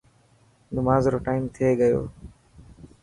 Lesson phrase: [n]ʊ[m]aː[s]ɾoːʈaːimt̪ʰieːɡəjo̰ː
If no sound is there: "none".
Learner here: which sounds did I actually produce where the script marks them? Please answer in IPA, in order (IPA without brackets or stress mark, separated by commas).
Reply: n, m, z